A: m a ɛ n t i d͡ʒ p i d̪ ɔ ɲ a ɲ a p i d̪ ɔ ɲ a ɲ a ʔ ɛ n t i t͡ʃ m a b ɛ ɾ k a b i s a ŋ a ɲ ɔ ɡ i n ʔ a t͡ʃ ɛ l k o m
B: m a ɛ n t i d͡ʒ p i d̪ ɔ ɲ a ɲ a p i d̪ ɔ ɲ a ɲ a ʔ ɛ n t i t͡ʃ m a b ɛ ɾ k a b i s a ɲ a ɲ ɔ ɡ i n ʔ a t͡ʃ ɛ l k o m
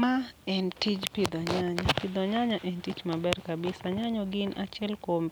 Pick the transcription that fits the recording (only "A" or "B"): B